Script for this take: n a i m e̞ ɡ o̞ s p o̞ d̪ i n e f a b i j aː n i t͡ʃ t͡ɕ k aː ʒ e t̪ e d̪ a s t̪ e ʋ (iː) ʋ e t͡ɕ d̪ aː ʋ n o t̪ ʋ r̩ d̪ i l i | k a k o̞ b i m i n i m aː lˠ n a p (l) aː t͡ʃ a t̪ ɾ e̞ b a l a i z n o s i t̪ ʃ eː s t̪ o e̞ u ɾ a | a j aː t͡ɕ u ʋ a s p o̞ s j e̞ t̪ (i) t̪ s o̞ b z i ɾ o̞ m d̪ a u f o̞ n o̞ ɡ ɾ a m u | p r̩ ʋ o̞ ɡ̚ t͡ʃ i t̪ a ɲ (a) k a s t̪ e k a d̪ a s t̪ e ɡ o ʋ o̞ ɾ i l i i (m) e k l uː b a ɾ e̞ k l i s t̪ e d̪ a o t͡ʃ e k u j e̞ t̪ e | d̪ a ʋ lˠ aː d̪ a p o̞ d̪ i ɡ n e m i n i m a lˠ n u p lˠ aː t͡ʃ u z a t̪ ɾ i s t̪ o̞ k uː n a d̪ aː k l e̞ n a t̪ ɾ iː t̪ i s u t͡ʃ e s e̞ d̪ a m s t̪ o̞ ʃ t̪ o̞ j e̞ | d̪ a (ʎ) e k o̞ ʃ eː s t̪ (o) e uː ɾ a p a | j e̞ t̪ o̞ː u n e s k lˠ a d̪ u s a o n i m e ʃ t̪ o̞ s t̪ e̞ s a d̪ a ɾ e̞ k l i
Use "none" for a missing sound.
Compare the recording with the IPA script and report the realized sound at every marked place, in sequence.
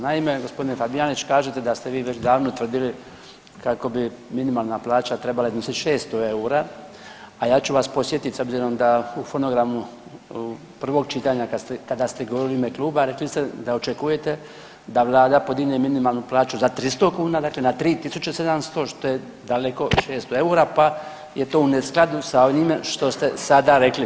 iː, l, i, a, m, l, o

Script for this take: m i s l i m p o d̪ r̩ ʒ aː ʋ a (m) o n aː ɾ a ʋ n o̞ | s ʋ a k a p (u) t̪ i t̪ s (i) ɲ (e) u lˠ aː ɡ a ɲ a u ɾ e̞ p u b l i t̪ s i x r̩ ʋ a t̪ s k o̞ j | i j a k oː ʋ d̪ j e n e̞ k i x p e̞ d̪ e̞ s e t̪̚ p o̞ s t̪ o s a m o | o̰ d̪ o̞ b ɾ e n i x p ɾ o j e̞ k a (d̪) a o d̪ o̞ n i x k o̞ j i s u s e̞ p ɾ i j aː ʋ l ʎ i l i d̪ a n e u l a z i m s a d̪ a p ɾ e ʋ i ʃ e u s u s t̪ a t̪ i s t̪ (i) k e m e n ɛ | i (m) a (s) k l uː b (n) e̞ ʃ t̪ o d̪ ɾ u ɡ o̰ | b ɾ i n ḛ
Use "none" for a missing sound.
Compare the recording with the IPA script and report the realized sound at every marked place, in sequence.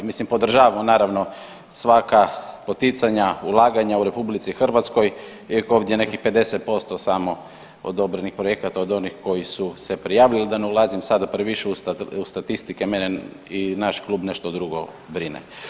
m, o, a, a, t̪, i, n, ʃ, n

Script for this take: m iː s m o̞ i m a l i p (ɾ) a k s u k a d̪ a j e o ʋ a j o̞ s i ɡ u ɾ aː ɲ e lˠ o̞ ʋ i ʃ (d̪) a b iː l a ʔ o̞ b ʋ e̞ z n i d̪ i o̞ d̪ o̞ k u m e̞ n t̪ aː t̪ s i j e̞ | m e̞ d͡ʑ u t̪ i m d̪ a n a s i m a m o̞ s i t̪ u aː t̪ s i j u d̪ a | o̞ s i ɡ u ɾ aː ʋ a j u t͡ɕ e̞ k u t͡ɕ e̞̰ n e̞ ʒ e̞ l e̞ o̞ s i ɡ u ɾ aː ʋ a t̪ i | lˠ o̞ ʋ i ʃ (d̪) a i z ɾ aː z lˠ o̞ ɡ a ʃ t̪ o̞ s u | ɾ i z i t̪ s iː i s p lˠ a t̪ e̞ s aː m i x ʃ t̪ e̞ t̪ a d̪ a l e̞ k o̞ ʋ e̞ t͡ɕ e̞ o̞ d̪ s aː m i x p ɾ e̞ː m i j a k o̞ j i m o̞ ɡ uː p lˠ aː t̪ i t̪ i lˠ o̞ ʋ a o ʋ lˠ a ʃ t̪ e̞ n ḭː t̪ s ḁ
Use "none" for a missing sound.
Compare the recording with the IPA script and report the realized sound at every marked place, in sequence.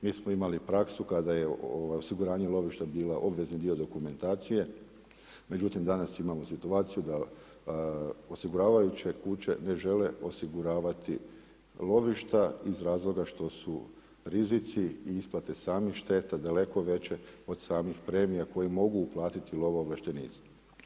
ɾ, t̪, t̪

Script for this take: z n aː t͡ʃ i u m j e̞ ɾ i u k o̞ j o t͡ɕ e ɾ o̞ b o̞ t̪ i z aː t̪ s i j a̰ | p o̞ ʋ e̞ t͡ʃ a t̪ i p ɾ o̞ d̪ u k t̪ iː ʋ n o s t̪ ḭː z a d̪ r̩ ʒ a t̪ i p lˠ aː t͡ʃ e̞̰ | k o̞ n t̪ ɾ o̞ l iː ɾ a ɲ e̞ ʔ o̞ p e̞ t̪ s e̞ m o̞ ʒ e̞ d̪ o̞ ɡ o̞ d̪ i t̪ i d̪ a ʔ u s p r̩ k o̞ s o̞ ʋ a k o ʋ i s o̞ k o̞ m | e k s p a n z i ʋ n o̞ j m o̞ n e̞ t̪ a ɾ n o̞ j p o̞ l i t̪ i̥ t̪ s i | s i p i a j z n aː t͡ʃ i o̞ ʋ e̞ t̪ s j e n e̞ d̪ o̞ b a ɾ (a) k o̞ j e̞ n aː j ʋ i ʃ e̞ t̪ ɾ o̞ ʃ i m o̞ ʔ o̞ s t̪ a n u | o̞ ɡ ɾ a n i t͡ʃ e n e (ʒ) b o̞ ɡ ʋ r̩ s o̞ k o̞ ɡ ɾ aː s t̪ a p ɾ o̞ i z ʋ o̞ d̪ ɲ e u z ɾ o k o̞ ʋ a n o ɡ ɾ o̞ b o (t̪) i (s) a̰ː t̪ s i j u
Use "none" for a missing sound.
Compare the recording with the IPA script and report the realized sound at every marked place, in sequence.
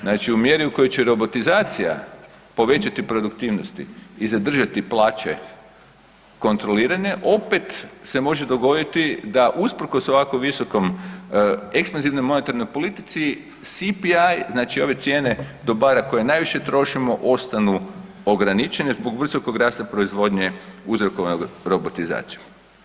a, z, t̪, z

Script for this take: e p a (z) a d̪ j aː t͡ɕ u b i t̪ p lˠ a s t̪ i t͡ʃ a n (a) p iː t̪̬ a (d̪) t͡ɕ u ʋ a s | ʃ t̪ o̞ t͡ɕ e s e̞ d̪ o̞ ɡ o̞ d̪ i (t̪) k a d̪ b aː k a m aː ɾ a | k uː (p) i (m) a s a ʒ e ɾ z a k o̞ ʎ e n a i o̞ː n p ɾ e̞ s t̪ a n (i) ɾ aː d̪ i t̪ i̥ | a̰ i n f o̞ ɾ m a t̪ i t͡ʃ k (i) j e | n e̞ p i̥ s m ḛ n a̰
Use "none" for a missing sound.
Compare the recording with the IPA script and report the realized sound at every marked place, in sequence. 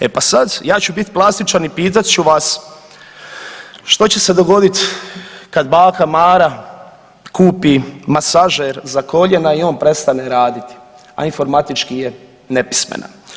s, i, t̪, t̪, p, m, e, i

